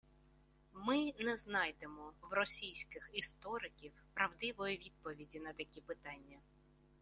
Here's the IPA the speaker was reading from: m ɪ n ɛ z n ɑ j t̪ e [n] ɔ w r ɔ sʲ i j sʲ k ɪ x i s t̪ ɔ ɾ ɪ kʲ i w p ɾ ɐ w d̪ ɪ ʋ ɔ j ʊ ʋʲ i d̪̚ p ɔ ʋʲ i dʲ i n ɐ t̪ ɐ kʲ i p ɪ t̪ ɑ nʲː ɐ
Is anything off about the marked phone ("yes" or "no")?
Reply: yes